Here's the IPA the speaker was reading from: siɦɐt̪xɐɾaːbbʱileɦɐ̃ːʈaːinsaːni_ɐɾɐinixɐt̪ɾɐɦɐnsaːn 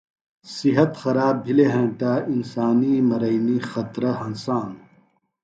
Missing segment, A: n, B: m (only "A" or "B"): B